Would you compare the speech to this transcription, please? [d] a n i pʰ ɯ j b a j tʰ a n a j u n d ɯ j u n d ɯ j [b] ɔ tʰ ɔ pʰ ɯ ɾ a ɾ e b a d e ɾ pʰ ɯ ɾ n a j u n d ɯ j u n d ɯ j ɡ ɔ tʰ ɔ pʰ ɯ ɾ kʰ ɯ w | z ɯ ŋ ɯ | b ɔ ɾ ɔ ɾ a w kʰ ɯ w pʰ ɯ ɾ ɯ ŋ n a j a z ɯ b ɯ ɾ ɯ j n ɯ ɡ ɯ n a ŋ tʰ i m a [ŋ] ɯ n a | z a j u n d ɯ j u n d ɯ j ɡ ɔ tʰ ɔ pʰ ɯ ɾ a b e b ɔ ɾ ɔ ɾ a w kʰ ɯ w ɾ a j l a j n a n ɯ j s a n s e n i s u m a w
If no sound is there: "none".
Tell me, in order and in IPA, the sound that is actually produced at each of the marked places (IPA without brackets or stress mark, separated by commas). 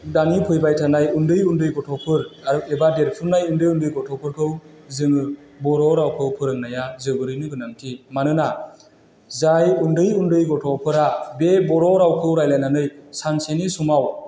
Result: d, ɡ, n